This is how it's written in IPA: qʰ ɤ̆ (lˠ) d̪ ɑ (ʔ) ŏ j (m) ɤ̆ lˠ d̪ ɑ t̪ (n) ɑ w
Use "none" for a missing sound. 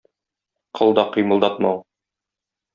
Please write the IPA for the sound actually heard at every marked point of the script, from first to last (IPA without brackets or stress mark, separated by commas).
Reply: lˠ, q, m, m